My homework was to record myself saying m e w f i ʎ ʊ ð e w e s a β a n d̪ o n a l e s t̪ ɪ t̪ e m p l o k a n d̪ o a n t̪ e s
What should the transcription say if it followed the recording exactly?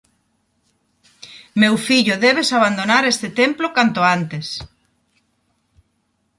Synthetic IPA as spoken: m e w f i ʎ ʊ ð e β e s a β a n d̪ o n a ɾ e s t̪ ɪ t̪ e m p l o k a n t̪ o a n t̪ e s